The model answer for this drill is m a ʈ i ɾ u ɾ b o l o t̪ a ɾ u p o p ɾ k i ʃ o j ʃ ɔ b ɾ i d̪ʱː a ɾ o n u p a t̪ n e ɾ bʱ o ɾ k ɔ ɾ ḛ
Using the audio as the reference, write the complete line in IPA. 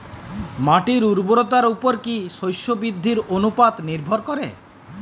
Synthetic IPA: m a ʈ i ɾ u ɾ b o ɾ o t̪ a ɾ u p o ɾ k i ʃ o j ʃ o b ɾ i d̪ʱː i ɾ o n u p a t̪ n i ɾ bʱ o ɾ k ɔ ɾ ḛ